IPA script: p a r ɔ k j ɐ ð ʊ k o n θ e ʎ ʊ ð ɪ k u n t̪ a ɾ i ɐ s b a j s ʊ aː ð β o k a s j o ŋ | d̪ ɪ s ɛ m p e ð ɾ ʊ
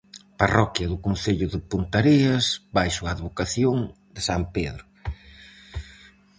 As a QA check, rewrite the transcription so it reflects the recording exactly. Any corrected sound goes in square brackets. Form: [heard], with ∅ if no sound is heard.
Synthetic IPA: p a r ɔ k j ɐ ð ʊ k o n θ e ʎ ʊ ð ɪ [p] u n t̪ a ɾ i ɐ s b a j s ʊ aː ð β o k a [θ] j o ŋ | d̪ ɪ s [a] m p e ð ɾ ʊ